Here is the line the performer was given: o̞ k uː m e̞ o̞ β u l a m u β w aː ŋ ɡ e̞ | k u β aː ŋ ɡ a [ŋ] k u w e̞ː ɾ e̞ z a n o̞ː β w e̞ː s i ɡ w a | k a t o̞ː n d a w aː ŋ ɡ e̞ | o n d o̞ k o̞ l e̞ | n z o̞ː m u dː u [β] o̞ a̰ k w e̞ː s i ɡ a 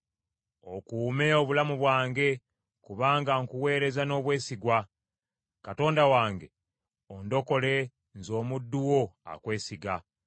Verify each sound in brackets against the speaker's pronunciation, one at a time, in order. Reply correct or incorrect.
correct, incorrect: w

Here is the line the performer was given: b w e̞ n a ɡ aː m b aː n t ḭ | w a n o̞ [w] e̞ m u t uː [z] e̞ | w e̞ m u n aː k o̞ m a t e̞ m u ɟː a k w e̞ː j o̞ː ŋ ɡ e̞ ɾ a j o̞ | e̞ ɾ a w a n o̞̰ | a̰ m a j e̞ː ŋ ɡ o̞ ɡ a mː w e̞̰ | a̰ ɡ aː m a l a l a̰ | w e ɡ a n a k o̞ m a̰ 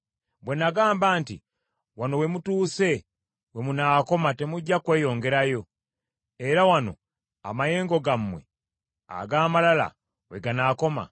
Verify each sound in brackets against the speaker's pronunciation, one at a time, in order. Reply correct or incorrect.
correct, incorrect: s

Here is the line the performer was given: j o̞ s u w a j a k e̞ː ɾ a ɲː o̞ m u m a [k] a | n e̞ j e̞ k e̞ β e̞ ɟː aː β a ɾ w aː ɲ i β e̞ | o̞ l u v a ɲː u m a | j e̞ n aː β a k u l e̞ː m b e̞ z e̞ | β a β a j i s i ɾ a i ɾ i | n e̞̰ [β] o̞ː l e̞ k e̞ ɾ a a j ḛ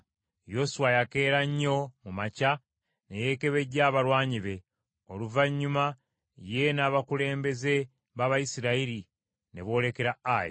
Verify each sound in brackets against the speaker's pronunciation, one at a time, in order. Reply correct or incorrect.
incorrect: c, correct

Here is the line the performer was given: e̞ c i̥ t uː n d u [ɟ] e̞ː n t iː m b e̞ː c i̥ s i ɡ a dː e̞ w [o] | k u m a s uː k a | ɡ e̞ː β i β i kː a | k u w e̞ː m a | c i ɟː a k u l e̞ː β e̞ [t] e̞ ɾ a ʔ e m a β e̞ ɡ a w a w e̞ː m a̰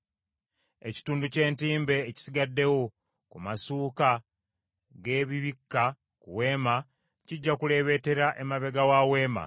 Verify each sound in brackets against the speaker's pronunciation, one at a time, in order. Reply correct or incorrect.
incorrect: c, correct, correct

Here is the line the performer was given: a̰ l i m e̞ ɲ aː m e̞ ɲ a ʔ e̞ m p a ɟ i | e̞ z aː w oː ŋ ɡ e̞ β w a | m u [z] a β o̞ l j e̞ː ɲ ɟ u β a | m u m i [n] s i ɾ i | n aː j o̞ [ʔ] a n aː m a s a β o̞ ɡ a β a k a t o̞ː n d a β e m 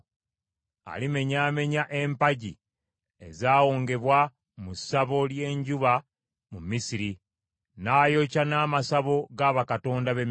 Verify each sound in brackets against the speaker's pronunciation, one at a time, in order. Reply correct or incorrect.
incorrect: s, incorrect: none, incorrect: c

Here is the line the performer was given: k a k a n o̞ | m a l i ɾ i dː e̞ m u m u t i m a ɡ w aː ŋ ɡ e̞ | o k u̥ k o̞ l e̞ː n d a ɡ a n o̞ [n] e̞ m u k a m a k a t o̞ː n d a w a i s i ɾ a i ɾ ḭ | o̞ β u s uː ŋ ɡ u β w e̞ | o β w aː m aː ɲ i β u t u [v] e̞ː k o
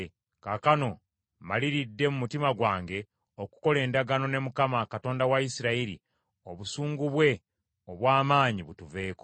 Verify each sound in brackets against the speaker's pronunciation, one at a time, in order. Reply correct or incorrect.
correct, correct

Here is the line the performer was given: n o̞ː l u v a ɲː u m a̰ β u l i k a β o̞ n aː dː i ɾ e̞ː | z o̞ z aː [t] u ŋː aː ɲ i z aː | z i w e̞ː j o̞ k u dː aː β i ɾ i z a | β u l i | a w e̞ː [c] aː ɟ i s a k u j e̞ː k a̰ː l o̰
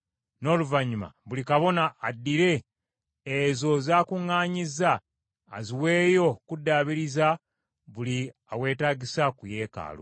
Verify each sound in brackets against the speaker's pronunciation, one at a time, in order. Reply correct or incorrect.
incorrect: k, incorrect: t

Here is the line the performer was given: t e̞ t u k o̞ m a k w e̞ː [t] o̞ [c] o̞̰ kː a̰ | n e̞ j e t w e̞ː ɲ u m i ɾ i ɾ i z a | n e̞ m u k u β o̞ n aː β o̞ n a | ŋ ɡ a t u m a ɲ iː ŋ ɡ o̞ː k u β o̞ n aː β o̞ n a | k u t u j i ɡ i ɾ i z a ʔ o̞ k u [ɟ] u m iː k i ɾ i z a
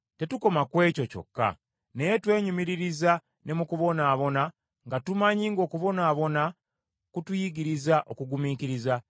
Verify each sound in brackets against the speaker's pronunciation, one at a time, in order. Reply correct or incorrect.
incorrect: c, correct, incorrect: ɡ

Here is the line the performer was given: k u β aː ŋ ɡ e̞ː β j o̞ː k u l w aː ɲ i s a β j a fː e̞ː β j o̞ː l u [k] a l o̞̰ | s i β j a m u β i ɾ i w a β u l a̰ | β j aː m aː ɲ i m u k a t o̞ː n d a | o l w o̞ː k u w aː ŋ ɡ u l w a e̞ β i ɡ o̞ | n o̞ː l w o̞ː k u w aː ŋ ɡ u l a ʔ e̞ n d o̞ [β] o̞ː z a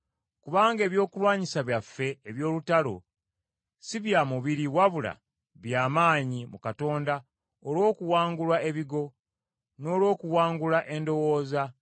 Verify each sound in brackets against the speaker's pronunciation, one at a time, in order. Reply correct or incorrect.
incorrect: t, incorrect: w

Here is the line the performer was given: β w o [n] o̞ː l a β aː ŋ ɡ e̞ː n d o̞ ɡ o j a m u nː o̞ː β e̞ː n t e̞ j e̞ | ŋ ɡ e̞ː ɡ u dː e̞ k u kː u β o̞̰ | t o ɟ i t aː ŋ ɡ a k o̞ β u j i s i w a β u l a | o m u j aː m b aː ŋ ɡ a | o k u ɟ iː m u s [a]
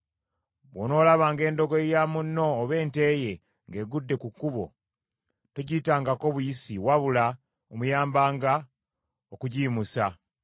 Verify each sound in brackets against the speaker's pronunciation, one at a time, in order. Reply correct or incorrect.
correct, correct

